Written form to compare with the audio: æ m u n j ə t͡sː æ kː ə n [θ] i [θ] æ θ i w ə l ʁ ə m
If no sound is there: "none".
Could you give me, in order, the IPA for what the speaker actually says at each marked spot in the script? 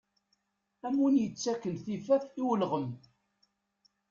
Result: θ, f

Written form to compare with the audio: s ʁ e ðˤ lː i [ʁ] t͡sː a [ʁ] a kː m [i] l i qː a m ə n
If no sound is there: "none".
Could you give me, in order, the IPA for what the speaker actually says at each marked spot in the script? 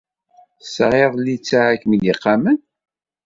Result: none, ʕ, i

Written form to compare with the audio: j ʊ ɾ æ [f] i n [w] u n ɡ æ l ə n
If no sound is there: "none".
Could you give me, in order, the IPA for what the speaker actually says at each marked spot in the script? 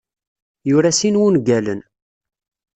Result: s, w

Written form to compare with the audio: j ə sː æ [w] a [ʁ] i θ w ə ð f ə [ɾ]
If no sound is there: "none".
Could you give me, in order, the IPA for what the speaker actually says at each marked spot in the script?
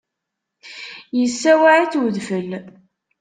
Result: w, ʕ, l

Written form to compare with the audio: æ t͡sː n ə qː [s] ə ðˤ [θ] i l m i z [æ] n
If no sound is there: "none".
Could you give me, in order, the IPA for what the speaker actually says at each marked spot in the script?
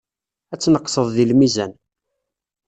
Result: s, ð, æ

